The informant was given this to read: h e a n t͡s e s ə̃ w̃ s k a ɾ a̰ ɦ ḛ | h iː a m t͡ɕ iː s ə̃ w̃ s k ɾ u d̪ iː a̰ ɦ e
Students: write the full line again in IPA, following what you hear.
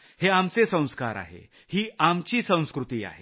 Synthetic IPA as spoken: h e a m t͡s e s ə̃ w̃ s k a ɾ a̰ ɦ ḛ | h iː a m t͡ɕ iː s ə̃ w̃ s k ɾ u t̪ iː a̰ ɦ e